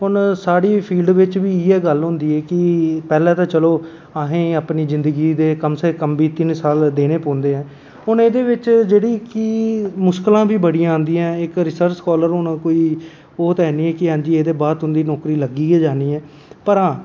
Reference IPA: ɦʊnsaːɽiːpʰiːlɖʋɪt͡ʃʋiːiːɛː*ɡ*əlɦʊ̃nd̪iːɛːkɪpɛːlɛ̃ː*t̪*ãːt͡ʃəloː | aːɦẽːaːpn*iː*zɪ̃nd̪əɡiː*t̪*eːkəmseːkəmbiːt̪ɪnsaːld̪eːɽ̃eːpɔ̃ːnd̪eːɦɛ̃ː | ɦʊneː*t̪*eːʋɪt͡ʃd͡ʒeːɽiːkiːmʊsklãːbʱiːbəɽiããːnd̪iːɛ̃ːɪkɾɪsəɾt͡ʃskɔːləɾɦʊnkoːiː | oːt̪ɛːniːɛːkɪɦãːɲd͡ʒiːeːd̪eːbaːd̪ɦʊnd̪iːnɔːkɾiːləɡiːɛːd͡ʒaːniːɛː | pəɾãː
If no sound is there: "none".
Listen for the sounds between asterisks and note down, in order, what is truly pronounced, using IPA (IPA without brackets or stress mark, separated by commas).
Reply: ɡ, t̪, iː, d̪, d̪